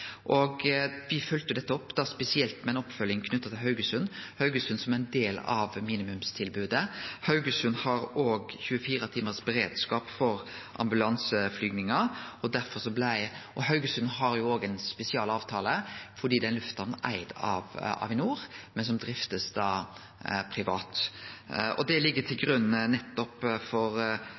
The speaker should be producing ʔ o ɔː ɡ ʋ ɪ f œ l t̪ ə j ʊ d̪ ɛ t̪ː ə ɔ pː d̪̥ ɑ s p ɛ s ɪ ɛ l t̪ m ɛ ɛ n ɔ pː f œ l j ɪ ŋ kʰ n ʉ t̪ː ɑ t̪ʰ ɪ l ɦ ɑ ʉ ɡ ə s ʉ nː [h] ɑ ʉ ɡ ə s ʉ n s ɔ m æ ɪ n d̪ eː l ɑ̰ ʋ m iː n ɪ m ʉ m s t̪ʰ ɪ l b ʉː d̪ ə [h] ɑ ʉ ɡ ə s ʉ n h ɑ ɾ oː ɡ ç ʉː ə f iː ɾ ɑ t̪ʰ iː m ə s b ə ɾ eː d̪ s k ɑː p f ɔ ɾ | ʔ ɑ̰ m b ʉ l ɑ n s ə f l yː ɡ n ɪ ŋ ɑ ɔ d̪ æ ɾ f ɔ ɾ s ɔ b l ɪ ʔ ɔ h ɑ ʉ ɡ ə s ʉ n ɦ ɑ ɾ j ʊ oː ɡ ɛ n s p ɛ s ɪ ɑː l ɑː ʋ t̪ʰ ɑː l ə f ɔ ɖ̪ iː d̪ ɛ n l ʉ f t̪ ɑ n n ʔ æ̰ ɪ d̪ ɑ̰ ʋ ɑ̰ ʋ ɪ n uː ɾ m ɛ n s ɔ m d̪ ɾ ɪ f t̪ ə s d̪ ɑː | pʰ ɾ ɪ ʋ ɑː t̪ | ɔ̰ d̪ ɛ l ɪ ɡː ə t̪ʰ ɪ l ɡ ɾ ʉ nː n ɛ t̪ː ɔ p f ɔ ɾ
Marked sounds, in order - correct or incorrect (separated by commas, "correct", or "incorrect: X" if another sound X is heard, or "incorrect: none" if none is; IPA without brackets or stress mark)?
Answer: correct, correct